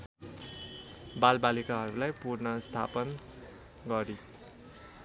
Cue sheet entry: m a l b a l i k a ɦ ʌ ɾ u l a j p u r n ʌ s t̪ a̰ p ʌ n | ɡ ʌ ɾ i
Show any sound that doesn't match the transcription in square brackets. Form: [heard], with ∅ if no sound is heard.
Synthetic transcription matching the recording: [b] a l b a l i k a ɦ ʌ ɾ u l a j p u r n ʌ s [t̪ʰ] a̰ p ʌ n | ɡ ʌ ɾ i